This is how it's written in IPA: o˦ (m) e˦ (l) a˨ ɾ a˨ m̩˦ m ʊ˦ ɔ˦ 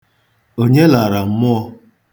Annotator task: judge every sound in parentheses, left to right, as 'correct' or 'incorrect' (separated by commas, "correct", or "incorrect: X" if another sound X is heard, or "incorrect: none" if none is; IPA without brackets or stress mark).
incorrect: ɲ, correct